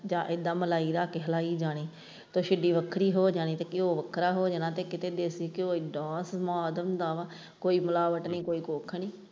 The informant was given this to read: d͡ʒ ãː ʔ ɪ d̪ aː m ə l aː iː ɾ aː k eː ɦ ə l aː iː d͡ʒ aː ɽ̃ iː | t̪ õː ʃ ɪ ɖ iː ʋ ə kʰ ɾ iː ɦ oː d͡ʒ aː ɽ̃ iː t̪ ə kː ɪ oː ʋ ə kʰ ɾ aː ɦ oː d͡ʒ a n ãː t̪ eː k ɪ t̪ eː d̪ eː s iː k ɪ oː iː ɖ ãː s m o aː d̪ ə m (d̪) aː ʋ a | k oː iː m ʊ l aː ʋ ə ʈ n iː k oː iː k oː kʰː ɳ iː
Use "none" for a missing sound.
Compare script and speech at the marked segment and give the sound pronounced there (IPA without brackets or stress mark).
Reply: d̪